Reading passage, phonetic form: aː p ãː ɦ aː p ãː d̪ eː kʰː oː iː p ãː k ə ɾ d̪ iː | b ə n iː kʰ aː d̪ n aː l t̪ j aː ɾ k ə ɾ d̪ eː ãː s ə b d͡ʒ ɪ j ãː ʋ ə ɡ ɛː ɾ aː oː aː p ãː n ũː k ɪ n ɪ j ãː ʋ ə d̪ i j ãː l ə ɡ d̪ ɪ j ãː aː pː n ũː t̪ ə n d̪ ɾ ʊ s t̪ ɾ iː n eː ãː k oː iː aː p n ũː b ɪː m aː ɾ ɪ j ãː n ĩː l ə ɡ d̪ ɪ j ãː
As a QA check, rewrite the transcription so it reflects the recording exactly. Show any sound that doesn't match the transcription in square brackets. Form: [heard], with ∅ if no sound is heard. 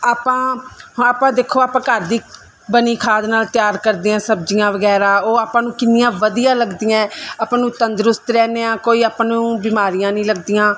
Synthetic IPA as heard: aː p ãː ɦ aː p ãː d̪ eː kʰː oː [aː] p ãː k ə ɾ d̪ iː | b ə n iː kʰ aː d̪ n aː l t̪ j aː ɾ k ə ɾ d̪ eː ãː s ə b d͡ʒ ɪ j ãː ʋ ə ɡ ɛː ɾ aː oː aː p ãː n ũː k ɪ n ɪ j ãː ʋ ə d̪ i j ãː l ə ɡ d̪ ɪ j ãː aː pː n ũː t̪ ə n d̪ ɾ ʊ s t̪ ɾ [ɛː] n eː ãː k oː iː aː p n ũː b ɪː m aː ɾ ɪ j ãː n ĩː l ə ɡ d̪ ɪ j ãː